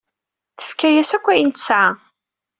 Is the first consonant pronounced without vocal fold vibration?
yes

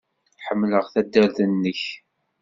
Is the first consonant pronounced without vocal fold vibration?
yes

